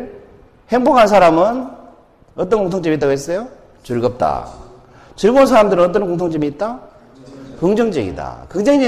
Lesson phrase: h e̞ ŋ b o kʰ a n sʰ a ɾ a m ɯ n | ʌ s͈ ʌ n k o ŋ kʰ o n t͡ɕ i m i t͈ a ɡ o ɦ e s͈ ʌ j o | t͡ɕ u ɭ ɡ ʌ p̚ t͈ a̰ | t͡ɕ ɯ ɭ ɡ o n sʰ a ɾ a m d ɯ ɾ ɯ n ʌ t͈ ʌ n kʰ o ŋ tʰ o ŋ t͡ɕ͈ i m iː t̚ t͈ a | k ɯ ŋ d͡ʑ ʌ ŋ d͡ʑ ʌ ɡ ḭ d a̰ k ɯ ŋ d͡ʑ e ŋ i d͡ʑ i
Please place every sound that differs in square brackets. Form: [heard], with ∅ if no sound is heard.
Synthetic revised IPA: h e̞ ŋ b o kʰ a n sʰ a ɾ a m ɯ n | ʌ [t͈] ʌ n k o ŋ [tʰ] o [ŋ] t͡ɕ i m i t͈ a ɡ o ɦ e s͈ ʌ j o | t͡ɕ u ɭ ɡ ʌ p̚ t͈ a̰ | t͡ɕ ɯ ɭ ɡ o n sʰ a ɾ a m d ɯ ɾ ɯ n ʌ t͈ ʌ n [k] o ŋ tʰ o ŋ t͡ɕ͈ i m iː t̚ t͈ a | k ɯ ŋ d͡ʑ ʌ ŋ d͡ʑ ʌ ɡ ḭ d a̰ k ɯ ŋ d͡ʑ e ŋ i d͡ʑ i